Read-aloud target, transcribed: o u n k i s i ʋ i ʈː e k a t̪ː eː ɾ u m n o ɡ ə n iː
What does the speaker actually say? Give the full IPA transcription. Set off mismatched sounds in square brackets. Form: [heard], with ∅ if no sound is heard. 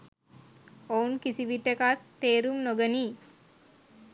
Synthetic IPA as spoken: o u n k i s i ʋ i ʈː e k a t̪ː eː ɾ u m n o ɡ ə n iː